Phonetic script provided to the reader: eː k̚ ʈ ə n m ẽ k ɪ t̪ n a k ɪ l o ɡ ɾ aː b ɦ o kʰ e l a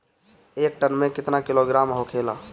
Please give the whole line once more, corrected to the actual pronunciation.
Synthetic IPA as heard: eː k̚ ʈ ə n m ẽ k ɪ t̪ n a k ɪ l o ɡ ɾ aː m ɦ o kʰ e l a